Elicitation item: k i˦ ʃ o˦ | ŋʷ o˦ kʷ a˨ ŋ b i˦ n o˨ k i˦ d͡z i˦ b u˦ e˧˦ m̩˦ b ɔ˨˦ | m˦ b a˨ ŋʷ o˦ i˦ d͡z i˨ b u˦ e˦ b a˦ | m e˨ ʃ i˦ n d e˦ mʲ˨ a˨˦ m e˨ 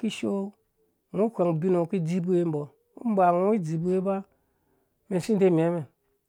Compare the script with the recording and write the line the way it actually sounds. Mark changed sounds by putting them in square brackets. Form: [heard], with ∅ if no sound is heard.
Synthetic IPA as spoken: k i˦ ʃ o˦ | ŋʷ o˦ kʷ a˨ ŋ b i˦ n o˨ k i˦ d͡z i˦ b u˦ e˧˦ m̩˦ b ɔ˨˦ | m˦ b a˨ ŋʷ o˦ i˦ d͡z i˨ b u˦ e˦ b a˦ | m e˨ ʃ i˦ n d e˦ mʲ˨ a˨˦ m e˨